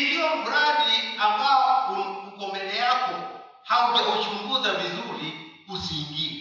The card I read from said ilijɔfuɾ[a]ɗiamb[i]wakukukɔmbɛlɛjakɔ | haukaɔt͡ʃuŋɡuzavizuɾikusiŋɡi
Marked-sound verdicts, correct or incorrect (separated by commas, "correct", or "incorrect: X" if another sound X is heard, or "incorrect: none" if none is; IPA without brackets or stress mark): correct, incorrect: a